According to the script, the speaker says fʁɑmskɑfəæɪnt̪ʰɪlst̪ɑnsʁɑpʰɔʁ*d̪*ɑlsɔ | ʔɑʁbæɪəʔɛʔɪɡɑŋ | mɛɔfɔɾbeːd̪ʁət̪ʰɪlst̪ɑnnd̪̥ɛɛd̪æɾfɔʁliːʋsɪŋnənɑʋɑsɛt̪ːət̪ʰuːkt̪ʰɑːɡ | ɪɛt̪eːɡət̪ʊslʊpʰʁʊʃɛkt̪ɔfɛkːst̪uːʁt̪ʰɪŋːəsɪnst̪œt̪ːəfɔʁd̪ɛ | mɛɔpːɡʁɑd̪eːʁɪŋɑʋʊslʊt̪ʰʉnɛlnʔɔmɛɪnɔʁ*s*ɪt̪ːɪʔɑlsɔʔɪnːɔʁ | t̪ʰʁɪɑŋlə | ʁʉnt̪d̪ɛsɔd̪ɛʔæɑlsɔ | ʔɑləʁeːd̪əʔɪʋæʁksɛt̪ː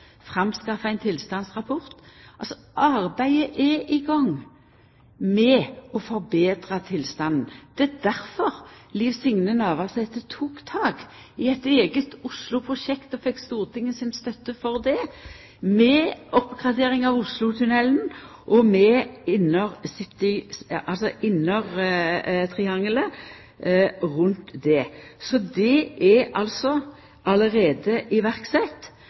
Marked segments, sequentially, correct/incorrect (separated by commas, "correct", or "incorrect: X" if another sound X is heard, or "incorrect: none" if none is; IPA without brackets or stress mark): incorrect: t̪, correct